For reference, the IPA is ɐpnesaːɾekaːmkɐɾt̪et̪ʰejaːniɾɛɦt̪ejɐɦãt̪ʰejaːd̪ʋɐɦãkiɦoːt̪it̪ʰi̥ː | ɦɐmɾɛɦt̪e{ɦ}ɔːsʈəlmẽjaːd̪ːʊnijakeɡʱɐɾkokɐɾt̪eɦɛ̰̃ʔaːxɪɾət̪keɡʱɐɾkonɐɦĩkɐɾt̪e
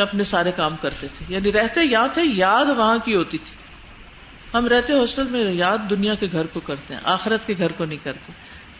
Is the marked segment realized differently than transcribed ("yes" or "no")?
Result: no